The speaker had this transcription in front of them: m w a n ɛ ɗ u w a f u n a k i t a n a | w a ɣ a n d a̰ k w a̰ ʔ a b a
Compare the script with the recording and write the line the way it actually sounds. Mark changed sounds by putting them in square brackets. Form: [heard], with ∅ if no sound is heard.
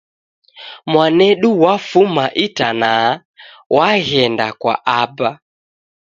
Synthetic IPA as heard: m w a n ɛ ɗ u w a f u [m] a [ʔ] i t a n a | w a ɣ [ɛ] n d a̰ k w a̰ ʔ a b a